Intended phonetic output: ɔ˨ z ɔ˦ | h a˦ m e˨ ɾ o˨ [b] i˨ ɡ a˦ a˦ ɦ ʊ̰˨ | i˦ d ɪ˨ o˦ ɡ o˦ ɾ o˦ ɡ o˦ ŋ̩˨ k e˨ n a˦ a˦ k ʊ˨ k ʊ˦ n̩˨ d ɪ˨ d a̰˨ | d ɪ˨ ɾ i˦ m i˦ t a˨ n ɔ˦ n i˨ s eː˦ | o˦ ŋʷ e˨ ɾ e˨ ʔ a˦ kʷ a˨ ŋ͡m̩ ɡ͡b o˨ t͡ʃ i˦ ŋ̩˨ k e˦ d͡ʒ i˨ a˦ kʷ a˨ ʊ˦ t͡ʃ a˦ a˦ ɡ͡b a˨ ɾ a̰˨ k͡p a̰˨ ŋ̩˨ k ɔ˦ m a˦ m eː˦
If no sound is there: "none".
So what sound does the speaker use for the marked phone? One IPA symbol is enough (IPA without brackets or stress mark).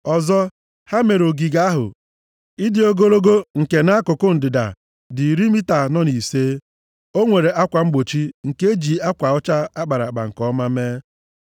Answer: ɡ